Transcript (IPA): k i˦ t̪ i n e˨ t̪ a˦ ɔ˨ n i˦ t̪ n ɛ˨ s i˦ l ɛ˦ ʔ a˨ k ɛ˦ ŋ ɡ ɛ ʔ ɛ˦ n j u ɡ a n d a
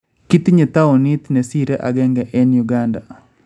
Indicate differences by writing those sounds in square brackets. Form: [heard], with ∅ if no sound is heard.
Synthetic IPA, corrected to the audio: k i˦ t̪ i [ɲ] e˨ t̪ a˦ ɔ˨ n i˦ t̪ n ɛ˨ s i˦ [ɾ] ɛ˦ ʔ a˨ [ɡ] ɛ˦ ŋ ɡ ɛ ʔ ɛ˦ n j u ɡ a n d a